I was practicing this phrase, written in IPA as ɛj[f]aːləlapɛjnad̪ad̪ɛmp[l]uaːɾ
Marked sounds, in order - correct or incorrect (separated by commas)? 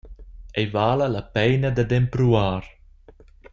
incorrect, incorrect